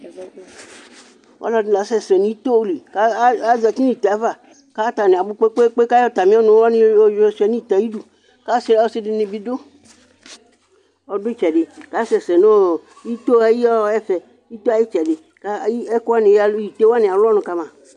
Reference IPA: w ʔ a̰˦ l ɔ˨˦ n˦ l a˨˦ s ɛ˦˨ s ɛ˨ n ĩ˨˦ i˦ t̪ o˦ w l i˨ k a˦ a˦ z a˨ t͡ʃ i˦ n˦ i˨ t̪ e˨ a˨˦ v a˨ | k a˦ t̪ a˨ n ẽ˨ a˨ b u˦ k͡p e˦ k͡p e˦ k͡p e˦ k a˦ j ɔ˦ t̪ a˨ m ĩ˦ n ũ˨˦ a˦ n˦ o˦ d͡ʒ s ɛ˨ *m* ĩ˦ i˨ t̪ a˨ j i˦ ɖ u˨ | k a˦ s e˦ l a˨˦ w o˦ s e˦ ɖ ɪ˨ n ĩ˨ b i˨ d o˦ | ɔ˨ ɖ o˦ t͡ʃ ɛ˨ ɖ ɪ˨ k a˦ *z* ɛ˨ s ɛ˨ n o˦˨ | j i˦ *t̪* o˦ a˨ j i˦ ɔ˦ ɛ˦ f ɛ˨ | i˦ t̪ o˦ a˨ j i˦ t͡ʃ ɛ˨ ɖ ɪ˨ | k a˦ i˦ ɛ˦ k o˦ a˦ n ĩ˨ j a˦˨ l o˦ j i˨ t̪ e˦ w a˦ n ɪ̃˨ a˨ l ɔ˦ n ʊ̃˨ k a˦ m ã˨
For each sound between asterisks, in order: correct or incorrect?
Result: incorrect, incorrect, correct

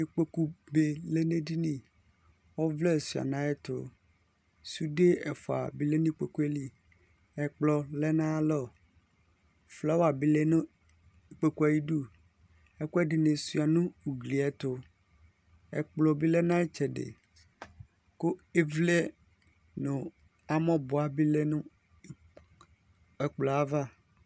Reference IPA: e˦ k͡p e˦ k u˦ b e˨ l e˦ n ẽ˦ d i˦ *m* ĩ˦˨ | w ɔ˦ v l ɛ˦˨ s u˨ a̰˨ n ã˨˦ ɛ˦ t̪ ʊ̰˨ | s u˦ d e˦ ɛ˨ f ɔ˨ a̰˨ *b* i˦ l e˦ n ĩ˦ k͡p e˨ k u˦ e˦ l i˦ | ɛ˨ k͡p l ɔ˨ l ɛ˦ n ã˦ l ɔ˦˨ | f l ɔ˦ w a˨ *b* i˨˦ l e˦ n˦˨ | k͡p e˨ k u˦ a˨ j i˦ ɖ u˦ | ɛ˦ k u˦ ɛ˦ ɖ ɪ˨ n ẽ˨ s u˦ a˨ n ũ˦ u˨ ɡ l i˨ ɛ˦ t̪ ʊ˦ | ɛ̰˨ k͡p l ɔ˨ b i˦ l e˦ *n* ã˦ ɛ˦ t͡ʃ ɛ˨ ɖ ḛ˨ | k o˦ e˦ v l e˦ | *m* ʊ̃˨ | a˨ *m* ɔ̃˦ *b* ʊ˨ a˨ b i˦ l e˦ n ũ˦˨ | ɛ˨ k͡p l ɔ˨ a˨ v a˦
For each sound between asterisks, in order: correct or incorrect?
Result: incorrect, correct, correct, correct, incorrect, correct, correct

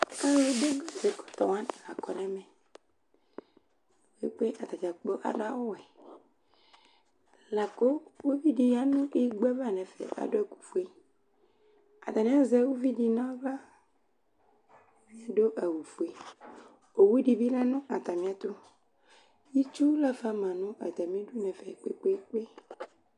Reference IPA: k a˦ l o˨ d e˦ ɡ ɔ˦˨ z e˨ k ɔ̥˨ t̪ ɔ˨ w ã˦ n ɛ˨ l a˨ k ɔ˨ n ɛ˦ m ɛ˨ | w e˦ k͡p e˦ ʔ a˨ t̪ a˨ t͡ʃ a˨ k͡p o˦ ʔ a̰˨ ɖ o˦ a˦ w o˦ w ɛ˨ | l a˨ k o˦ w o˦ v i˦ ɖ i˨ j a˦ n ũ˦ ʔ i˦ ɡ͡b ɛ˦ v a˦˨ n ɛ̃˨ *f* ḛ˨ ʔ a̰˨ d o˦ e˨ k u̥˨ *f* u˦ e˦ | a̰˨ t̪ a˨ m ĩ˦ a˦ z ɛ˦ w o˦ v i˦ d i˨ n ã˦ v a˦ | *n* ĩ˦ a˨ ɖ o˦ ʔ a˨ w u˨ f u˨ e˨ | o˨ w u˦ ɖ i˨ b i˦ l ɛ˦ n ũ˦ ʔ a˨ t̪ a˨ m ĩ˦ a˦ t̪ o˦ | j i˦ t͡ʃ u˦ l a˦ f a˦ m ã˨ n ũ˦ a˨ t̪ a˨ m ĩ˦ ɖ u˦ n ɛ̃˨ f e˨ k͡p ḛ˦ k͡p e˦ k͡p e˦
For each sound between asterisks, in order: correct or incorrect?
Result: correct, correct, incorrect

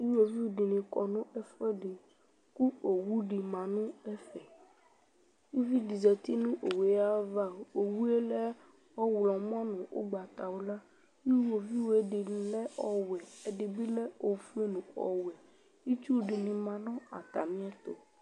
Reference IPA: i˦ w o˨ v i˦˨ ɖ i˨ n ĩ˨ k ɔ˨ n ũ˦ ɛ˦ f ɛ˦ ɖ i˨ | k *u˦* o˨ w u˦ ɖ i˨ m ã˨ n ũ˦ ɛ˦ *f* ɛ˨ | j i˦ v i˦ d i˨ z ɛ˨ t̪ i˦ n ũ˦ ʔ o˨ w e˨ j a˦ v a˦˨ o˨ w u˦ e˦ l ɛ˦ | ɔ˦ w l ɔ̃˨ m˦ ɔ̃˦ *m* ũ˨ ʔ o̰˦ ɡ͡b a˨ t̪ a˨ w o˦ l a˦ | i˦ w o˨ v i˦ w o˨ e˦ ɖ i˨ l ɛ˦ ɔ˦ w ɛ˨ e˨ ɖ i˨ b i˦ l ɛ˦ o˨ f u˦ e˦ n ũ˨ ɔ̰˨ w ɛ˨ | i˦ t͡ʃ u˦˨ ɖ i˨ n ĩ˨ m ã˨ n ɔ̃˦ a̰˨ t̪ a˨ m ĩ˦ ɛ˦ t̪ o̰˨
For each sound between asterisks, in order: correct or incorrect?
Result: correct, correct, incorrect

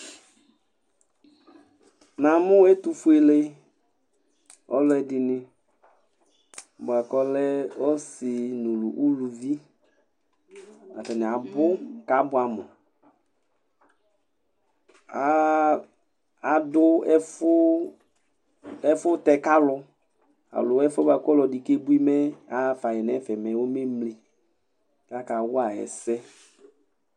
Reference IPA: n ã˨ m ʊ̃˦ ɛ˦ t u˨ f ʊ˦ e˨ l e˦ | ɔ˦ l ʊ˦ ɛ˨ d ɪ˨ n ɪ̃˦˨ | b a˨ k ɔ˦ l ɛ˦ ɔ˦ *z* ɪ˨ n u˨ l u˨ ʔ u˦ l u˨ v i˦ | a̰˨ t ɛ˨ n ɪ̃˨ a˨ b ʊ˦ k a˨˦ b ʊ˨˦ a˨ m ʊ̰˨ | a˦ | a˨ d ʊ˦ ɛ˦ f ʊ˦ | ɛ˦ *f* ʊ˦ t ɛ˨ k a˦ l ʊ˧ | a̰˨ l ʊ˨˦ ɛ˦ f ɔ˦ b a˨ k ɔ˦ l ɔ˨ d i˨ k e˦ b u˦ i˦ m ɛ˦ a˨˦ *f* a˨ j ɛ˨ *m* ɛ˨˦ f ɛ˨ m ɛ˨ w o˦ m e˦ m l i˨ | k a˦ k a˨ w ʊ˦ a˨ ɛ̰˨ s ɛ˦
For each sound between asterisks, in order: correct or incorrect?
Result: incorrect, correct, correct, incorrect

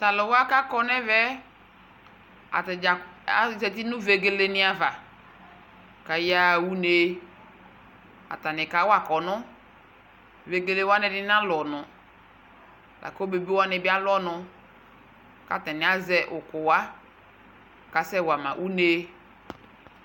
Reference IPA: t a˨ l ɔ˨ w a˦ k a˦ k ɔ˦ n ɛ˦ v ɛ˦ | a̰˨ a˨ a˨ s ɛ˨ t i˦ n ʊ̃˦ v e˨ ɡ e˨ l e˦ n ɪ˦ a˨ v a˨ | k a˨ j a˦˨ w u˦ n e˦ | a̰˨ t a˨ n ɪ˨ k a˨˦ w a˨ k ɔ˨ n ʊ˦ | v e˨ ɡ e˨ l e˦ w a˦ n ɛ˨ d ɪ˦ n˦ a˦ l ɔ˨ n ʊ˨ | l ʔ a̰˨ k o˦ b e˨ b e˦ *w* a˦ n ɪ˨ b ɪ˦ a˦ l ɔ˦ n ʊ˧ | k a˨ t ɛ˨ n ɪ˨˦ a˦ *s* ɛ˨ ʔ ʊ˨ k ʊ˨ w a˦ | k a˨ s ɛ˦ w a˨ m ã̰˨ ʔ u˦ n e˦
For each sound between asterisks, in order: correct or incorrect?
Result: correct, incorrect

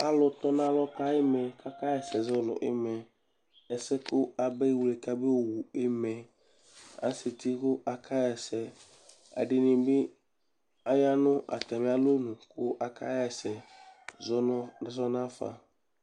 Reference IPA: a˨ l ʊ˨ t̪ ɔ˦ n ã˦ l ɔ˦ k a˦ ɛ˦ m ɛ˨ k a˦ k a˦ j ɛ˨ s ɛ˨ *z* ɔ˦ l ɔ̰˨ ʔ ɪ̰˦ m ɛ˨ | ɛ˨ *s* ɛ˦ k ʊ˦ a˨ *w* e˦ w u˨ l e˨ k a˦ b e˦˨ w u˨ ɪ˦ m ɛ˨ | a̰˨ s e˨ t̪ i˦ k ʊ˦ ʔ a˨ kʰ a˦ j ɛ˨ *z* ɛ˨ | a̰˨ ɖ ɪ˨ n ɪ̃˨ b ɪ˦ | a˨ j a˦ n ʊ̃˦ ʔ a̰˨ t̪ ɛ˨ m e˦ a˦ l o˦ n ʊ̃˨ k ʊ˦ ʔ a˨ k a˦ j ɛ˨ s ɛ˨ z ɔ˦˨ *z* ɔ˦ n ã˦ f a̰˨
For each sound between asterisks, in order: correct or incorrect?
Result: correct, correct, incorrect, incorrect, correct

